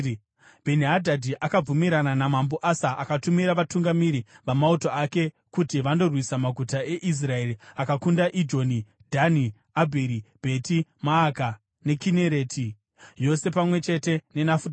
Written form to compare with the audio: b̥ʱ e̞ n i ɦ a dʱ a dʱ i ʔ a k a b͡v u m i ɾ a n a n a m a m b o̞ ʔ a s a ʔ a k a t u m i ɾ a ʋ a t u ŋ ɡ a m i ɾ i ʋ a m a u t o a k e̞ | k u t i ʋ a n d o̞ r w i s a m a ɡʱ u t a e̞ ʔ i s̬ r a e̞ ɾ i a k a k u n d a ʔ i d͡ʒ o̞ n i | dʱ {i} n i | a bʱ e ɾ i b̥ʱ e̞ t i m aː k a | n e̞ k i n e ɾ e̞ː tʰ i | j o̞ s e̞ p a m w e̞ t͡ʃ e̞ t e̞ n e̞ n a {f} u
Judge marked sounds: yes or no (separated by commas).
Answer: no, yes